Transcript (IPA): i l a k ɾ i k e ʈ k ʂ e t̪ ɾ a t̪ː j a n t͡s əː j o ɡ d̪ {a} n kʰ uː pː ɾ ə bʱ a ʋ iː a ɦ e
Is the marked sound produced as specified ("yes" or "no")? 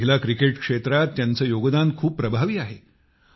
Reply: yes